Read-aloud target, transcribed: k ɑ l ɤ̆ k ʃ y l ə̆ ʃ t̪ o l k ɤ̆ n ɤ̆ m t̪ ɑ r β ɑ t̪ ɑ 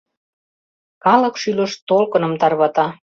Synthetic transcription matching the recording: k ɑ l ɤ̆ k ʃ y l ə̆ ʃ t̪ o l k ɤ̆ n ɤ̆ m t̪ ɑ r β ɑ t̪ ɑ

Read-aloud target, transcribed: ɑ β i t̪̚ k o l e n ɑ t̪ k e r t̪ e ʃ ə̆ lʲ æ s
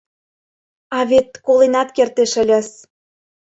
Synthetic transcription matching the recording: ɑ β e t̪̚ k o l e n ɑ t̪ k e r t̪ e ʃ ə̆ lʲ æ s

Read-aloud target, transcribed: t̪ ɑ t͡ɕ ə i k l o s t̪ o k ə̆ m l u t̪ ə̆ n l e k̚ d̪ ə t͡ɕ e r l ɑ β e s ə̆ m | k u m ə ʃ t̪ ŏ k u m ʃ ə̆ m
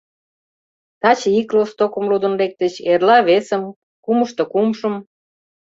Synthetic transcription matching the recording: t̪ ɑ t͡ɕ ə i k l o s t̪ o k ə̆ m l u d̪ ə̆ n l e k̚ t̪ ə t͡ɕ e r l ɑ β e s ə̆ m | k u m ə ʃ t̪ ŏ k u m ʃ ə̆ m

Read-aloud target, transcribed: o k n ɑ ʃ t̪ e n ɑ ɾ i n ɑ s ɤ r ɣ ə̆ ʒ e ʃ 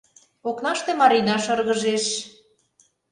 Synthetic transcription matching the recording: o k n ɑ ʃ t̪ e m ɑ ɾ i n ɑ ʃ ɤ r ɣ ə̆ ʒ e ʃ

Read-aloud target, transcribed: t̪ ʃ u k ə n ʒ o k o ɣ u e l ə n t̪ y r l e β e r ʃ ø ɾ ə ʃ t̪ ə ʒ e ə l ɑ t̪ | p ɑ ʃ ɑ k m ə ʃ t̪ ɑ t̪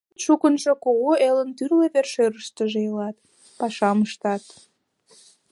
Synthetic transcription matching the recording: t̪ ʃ u k ə n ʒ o k o ɣ o e l ə n t̪ y r l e β e r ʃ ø ɾ ə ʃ t̪ ə ʒ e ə l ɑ t̪ | p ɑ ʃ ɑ m ə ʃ t̪ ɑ t̪

